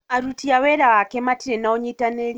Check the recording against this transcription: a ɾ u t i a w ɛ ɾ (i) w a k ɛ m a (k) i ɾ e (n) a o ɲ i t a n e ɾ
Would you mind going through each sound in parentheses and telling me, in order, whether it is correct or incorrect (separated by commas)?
incorrect, incorrect, correct